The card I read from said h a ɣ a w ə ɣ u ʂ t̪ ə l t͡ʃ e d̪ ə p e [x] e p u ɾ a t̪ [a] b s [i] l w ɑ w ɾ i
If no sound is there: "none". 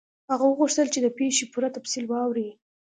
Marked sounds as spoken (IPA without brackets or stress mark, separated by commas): ʃ, a, i